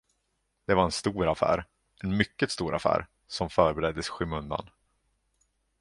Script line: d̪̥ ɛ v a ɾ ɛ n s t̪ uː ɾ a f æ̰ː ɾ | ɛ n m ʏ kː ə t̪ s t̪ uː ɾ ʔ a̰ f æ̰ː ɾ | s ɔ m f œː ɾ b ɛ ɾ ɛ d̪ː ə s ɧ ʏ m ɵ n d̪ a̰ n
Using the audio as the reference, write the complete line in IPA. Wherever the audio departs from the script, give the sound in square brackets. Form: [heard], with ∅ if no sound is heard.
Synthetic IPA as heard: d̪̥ ɛ v a ɾ ɛ n s t̪ uː ɾ a f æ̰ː ɾ | ɛ n m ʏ kː ə t̪ s t̪ uː ɾ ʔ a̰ f æ̰ː ɾ | s ɔ m f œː ɾ b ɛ ɾ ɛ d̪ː ə s ɧ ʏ m ɵ n d̪ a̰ n